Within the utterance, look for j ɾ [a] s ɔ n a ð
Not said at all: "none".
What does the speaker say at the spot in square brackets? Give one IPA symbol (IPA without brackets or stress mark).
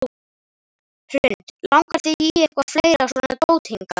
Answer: a